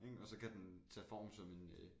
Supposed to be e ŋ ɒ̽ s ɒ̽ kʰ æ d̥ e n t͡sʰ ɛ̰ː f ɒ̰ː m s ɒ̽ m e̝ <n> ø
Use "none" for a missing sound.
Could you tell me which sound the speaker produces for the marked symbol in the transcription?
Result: n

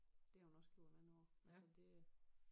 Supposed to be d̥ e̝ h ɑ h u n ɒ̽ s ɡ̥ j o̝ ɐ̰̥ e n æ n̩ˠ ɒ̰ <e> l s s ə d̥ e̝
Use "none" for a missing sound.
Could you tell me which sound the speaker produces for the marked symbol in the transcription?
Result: æ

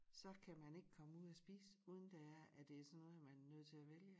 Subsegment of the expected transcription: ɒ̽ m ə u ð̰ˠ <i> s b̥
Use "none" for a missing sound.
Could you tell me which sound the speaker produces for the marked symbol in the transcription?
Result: æ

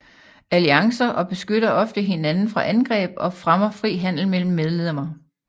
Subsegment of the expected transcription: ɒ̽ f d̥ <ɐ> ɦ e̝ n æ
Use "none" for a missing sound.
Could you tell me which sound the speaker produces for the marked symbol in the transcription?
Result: ə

